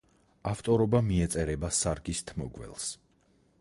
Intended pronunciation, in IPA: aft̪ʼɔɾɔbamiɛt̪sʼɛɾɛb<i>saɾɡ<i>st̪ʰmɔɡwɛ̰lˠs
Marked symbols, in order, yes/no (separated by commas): no, yes